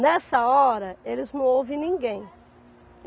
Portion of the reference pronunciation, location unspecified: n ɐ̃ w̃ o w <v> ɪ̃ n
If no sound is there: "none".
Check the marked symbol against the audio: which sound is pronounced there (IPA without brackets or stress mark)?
v